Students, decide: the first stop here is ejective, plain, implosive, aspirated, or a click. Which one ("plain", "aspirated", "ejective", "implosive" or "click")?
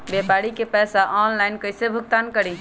plain